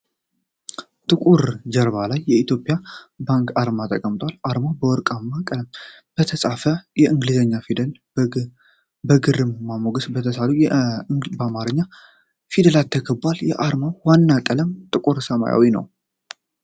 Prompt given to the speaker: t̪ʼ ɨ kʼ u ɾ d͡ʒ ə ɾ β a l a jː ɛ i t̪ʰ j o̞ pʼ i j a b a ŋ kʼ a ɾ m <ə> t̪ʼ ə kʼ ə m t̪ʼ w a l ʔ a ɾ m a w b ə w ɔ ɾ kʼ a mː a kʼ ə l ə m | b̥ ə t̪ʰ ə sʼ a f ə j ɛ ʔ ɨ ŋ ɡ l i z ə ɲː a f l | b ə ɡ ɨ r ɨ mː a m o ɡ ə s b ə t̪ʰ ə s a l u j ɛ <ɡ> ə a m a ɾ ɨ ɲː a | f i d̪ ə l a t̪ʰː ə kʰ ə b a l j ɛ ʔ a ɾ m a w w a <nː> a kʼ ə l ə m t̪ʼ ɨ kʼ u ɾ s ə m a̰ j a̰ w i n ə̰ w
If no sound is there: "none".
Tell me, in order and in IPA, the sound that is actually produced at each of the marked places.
a, b, nː

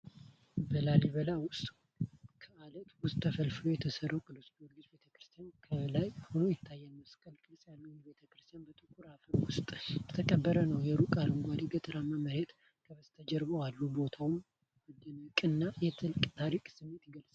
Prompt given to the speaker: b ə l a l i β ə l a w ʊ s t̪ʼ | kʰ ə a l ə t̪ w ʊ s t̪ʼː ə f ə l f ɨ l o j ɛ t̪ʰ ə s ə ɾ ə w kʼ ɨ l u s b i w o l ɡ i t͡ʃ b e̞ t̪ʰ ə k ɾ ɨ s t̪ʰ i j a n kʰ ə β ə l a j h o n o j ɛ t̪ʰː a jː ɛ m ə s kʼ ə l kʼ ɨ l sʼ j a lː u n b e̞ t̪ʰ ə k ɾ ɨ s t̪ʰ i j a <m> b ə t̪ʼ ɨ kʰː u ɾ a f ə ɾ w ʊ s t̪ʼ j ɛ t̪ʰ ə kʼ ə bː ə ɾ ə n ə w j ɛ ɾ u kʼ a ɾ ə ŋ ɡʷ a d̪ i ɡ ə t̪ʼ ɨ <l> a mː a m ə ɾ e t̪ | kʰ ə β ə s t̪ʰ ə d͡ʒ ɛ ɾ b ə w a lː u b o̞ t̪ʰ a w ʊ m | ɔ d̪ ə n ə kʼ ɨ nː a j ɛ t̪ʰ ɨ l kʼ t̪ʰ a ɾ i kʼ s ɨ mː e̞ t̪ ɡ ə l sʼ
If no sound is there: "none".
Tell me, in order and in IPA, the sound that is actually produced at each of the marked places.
n, ɾ

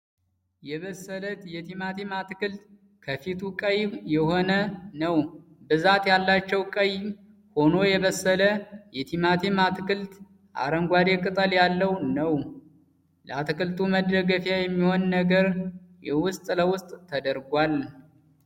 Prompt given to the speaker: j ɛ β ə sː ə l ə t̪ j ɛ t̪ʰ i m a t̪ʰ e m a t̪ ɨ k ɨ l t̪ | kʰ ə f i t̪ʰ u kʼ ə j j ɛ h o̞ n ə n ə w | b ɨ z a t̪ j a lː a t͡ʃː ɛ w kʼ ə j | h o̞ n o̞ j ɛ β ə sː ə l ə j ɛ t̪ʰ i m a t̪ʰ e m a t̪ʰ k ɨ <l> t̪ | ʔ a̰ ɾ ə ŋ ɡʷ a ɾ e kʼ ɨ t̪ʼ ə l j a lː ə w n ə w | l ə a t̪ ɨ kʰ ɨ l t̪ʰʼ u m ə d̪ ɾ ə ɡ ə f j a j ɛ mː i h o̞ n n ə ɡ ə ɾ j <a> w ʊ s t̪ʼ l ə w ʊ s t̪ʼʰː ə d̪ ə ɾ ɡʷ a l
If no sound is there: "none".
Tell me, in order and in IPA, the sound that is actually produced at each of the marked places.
l, ɛ

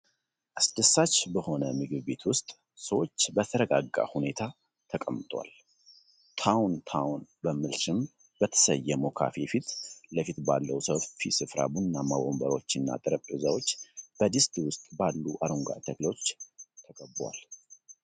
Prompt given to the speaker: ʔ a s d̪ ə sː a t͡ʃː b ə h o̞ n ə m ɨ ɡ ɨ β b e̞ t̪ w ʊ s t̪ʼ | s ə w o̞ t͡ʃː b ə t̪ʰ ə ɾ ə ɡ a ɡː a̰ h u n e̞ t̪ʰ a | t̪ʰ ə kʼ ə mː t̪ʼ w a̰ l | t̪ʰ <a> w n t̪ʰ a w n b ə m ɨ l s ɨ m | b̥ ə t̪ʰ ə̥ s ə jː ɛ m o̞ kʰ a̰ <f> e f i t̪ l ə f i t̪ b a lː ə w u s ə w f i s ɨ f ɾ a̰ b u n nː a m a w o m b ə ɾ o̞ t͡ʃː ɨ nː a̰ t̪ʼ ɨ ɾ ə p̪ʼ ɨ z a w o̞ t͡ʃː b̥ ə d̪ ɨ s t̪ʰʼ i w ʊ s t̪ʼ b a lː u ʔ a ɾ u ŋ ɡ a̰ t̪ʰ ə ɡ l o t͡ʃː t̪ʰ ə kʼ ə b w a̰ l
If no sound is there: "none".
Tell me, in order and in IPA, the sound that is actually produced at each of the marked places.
a, f

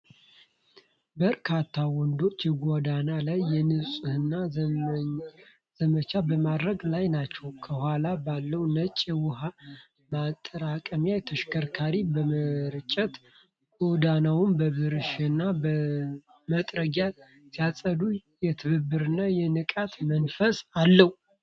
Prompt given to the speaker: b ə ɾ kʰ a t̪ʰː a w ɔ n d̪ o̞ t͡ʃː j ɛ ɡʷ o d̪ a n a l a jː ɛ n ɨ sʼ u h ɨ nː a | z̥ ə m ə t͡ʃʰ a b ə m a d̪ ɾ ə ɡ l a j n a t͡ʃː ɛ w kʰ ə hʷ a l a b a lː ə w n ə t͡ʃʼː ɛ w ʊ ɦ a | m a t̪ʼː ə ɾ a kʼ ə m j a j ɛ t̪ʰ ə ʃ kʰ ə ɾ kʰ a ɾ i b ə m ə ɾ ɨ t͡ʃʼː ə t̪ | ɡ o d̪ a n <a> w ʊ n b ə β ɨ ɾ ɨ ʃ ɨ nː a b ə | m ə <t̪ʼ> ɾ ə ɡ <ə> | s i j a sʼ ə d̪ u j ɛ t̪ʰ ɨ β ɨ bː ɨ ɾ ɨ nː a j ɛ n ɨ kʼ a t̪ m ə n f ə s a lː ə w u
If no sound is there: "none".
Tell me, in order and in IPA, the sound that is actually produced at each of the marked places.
a, t̪ʼ, a

